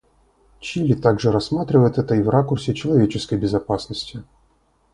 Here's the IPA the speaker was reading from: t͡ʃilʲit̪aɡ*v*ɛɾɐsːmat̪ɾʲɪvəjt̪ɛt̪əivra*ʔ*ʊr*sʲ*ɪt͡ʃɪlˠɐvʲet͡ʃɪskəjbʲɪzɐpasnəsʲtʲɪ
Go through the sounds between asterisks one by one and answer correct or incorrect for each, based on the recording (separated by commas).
incorrect, incorrect, correct